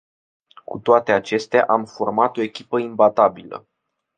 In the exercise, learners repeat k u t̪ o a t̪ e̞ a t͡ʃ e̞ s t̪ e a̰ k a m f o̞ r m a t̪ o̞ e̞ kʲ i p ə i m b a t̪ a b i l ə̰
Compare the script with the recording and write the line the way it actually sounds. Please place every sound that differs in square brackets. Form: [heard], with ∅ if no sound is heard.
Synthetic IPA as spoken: k u t̪ o a t̪ e̞ a t͡ʃ e̞ s t̪ e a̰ [ʔ] a m f o̞ r m a t̪ o̞ e̞ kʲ i p ə i m b a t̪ a b i l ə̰